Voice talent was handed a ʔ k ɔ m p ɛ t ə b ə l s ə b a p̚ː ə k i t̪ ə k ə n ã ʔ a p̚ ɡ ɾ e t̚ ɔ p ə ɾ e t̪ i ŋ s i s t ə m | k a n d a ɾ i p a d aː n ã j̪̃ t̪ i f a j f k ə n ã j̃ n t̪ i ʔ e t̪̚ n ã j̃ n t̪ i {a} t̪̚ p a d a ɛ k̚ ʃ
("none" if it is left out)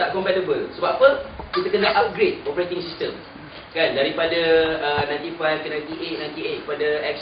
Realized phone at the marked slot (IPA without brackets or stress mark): e